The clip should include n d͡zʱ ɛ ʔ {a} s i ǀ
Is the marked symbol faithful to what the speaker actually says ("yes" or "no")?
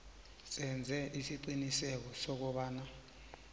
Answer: no